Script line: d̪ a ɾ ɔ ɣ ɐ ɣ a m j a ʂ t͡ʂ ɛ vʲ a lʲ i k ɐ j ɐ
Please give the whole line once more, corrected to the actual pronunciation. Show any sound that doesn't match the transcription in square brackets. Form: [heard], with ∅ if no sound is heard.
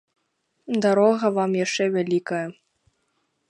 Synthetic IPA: d̪ a ɾ ɔ ɣ ɐ [v] a m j a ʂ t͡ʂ ɛ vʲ a lʲ i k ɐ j ɐ